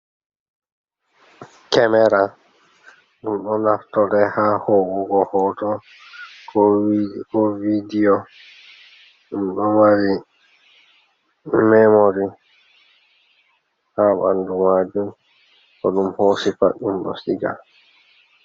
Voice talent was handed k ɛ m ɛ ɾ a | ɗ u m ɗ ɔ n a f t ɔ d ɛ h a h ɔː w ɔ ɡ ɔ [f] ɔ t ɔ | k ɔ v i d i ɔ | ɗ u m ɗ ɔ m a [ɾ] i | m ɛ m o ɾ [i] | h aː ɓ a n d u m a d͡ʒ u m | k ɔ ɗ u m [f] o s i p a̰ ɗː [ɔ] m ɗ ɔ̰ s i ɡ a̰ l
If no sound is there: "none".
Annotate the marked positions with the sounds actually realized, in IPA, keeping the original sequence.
h, ɾ, i, h, u

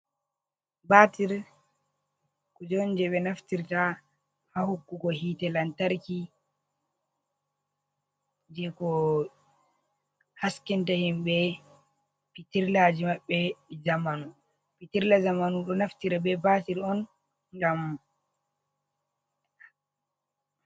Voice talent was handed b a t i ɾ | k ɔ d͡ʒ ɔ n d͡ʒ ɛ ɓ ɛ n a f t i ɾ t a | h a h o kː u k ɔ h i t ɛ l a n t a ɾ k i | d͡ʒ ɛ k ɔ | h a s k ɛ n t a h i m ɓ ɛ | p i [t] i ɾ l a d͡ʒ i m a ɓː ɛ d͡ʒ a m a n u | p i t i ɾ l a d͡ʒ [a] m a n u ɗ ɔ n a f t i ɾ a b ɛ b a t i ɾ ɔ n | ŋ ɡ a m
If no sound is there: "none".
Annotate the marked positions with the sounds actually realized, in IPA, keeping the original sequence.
t, a

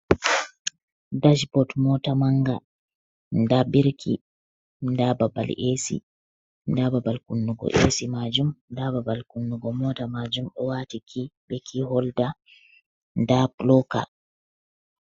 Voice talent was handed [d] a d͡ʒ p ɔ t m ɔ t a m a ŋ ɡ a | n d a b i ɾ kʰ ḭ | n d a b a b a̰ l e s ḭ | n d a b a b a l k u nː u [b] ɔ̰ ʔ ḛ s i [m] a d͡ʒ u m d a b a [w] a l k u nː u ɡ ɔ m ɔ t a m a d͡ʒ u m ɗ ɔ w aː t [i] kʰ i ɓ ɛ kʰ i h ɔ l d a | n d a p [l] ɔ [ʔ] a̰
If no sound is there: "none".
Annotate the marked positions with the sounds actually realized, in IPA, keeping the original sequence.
d, ɡ, m, b, i, l, k

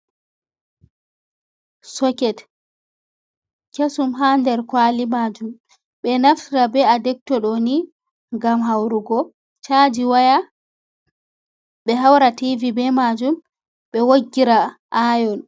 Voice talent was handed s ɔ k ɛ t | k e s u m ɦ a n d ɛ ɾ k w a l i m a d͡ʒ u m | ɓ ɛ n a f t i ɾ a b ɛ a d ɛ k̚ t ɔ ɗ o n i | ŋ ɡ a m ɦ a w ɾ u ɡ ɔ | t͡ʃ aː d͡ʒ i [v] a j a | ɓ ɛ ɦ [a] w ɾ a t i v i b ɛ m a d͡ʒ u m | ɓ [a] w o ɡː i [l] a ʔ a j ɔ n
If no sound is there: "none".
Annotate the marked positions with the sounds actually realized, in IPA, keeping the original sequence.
w, a, ɛ, ɾ

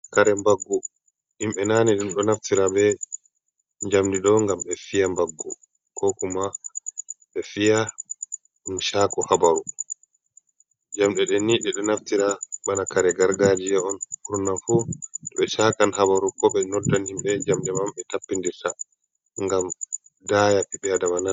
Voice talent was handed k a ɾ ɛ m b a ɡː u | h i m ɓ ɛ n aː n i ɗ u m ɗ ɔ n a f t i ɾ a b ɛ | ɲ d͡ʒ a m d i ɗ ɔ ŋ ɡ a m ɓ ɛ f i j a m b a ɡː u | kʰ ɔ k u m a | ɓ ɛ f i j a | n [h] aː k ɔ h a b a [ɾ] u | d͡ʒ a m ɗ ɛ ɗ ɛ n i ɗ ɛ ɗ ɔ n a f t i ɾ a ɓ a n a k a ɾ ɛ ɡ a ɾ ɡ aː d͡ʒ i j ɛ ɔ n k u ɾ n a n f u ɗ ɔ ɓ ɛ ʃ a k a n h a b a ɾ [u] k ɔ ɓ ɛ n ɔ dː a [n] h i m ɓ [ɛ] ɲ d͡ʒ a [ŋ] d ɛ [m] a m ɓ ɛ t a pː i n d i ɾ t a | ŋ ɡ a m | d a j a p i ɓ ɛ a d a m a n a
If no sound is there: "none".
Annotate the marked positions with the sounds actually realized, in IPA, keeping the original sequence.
ʃ, ɾ, u, n, ɛ, m, m

